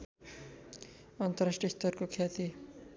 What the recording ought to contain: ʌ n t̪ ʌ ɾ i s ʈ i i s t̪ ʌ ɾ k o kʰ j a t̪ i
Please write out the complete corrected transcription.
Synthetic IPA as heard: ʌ n t̪ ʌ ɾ a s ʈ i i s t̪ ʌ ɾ k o kʰ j a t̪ i